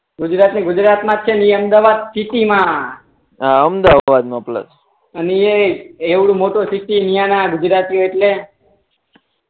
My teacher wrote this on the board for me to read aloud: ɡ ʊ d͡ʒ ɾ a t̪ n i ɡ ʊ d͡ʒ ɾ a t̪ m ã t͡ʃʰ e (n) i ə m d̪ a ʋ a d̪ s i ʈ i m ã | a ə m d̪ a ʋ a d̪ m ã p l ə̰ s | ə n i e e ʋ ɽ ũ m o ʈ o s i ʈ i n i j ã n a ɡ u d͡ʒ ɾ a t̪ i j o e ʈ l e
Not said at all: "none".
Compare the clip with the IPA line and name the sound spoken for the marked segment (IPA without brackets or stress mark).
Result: n